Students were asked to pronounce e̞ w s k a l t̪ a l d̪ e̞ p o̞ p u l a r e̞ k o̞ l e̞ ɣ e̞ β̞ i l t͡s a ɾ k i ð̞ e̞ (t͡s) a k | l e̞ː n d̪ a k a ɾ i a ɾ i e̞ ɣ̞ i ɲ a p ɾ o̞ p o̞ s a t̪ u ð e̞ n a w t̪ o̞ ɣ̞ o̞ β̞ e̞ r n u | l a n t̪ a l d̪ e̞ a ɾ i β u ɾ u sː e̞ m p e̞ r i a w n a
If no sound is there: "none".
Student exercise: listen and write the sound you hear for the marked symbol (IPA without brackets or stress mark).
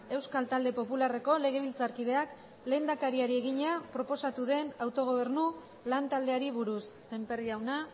none